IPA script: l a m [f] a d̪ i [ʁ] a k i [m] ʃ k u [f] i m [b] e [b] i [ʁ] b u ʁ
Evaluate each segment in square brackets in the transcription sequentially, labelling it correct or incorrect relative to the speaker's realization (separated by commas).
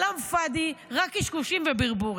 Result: correct, correct, incorrect, incorrect, incorrect, correct, correct